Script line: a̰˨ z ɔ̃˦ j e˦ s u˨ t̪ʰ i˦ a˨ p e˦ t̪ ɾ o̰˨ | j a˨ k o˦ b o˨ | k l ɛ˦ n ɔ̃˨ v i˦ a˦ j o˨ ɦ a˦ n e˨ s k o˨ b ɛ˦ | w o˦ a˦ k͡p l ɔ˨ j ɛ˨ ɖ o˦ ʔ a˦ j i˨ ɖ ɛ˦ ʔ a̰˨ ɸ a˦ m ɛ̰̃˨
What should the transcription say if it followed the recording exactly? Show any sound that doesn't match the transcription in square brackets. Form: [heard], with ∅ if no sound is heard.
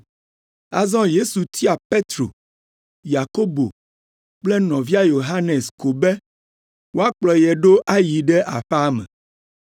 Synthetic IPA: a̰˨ z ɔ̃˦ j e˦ s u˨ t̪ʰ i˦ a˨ p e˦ t̪ ɾ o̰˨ | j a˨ k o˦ b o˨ | [k͡p] l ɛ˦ n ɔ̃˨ v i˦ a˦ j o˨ ɦ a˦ n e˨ s k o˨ b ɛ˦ | w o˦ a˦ k͡p l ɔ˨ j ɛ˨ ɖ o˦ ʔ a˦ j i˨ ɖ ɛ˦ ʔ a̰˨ ɸ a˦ m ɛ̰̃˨